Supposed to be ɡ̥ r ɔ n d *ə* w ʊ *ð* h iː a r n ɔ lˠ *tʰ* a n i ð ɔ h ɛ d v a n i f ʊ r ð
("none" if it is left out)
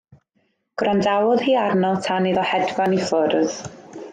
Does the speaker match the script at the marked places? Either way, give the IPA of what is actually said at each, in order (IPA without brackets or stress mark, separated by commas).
a, ð, tʰ